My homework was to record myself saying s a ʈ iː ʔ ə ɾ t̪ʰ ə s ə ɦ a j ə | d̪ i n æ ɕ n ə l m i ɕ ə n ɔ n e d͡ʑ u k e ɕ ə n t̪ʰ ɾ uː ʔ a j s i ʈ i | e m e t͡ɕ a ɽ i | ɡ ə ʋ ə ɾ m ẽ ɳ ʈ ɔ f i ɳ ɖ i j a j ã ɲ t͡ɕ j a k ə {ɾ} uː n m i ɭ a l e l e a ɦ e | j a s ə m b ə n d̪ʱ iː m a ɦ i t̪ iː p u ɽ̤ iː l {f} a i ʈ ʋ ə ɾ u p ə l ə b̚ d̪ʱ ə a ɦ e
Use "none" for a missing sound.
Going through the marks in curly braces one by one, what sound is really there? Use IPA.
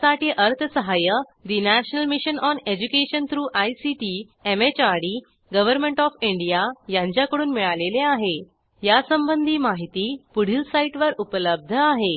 ɽ, s

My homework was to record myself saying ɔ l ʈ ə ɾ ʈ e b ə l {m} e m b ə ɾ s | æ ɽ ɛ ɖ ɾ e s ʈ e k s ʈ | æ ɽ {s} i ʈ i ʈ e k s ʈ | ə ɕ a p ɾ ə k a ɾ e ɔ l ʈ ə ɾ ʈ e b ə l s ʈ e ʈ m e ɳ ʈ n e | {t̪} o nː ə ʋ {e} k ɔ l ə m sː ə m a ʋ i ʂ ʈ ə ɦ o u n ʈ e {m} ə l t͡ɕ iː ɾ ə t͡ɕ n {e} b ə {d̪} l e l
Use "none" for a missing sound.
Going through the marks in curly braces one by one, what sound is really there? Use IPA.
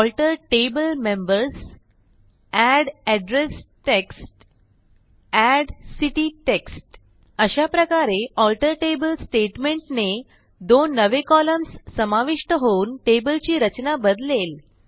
m, s, d̪, e, b, a, d̪

